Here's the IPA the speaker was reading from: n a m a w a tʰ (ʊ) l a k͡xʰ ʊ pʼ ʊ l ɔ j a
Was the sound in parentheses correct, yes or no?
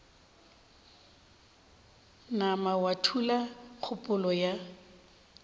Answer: no